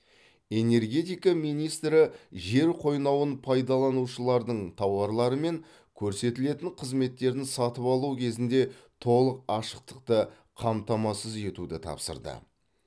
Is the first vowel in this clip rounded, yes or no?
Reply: no